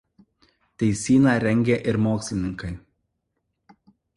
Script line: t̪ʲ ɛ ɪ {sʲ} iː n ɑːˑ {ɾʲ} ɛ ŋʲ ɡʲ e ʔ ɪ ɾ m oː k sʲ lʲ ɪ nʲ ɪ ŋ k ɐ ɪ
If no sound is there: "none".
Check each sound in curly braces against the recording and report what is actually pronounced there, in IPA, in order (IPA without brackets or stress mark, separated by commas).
sʲ, ɾʲ